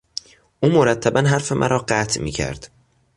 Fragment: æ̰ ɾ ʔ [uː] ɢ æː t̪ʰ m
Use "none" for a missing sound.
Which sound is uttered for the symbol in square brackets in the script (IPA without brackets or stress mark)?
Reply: ɒː